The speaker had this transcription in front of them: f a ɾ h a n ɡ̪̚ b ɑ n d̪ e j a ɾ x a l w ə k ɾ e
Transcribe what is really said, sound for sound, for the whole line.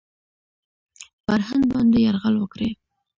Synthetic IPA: f a ɾ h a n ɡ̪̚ b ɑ n d̪ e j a ɾ ɣ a l w ə k ɾ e